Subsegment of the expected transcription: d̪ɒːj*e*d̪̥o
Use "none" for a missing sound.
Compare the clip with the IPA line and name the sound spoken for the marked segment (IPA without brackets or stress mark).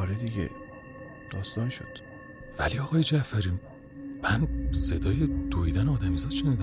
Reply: e